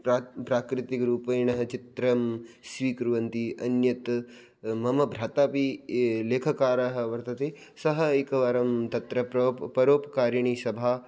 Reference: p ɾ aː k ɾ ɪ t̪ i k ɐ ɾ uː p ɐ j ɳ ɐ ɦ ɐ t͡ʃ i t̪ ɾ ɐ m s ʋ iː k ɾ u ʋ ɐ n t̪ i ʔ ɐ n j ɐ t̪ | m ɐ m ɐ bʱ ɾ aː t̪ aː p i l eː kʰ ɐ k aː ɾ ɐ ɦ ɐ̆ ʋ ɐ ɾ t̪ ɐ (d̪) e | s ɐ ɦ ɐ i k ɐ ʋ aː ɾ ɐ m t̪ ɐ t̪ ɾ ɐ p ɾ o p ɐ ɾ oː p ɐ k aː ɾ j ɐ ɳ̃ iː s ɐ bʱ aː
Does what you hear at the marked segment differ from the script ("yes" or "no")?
yes